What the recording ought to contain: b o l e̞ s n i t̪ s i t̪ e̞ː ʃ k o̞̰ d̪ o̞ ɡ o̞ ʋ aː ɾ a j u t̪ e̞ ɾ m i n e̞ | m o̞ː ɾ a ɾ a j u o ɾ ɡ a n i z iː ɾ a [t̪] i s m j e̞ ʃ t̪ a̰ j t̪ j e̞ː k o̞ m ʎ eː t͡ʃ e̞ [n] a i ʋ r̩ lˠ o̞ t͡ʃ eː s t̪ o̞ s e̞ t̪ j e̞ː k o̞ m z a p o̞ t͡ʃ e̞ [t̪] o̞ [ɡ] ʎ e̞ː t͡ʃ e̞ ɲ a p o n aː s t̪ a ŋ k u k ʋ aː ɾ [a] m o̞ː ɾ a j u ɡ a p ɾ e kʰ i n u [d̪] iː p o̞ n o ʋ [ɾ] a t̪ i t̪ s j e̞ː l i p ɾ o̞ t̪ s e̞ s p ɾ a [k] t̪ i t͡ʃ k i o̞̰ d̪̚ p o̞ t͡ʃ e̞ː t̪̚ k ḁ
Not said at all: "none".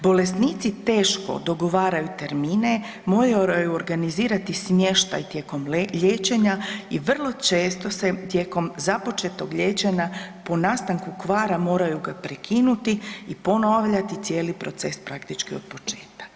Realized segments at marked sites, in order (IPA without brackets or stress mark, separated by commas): t̪, ɲ, t̪, ɡ, a, t̪, ʎ, k